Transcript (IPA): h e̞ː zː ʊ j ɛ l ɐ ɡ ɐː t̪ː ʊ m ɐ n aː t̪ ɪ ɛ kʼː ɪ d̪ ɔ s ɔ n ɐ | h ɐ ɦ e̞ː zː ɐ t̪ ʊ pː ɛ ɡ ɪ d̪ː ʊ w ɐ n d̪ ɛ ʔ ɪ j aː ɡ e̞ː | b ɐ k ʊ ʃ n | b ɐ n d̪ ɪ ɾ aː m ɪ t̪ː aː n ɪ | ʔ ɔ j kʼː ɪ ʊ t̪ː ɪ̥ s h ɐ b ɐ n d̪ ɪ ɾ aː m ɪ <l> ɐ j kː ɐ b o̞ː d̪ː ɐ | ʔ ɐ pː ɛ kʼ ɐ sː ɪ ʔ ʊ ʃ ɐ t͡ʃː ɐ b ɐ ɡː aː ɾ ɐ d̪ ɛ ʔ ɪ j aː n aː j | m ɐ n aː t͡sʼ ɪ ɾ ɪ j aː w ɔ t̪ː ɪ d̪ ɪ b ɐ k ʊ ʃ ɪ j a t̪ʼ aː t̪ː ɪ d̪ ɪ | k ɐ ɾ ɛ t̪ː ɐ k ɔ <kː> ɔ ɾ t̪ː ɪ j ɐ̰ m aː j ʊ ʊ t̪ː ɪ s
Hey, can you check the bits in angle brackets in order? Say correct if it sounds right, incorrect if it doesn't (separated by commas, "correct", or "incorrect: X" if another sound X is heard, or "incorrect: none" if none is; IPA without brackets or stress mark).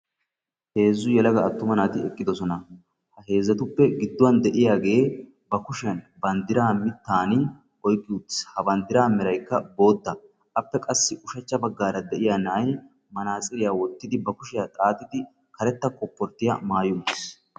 incorrect: ɾ, incorrect: pː